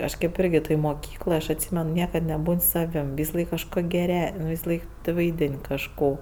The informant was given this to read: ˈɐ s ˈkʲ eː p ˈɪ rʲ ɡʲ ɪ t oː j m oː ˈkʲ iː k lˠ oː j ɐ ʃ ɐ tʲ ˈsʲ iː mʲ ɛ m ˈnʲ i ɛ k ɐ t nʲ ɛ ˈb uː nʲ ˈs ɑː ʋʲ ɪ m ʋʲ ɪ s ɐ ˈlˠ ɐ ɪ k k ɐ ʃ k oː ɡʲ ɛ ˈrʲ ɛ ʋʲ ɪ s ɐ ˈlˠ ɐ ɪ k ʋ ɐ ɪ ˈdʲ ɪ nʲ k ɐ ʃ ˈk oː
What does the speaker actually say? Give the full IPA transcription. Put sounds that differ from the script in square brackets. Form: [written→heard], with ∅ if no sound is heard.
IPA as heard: ˈɐ [s→ʃ] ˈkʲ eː p ˈɪ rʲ ɡʲ ɪ t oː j m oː ˈkʲ iː k lˠ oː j ɐ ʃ ɐ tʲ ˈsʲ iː mʲ ɛ [m→n] ˈnʲ i ɛ k ɐ t nʲ ɛ ˈb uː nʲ ˈs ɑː ʋʲ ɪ m ʋʲ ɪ s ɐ ˈlˠ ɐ ɪ k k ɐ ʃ k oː ɡʲ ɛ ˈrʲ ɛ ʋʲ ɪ s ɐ ˈlˠ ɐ ɪ k ʋ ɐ ɪ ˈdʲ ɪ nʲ k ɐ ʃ ˈk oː